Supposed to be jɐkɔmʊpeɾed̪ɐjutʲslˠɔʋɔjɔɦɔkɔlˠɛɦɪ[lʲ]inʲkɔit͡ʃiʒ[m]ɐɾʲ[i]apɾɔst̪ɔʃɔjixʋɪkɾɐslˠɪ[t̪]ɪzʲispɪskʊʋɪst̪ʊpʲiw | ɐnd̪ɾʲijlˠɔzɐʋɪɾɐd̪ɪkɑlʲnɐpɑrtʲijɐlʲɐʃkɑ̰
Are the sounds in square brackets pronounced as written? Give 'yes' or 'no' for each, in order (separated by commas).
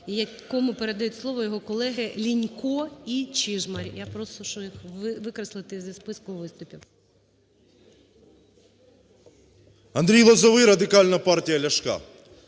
yes, yes, no, yes